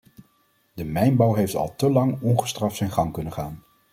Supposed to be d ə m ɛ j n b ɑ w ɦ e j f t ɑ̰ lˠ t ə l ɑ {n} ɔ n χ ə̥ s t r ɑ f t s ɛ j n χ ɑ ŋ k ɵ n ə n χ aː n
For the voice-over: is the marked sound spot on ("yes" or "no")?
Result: no